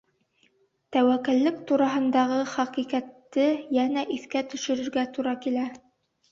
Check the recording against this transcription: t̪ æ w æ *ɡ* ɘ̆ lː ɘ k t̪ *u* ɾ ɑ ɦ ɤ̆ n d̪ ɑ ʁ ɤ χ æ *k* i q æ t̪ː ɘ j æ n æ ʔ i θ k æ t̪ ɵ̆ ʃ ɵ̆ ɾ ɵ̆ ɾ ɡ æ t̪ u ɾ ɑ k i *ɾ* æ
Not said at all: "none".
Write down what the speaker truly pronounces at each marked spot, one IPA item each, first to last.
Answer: k, u, q, l

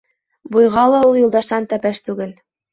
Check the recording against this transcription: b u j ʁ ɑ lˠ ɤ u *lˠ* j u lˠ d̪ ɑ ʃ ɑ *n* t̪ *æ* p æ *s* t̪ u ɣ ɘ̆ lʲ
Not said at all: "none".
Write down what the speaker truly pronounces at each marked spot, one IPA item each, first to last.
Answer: none, n, æ, ʃ

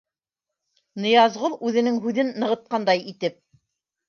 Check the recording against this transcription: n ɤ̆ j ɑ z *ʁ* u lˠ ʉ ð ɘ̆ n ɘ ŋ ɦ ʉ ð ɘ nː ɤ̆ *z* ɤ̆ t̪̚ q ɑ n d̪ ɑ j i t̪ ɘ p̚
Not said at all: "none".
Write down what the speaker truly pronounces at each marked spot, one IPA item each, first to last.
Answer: ʁ, ʁ

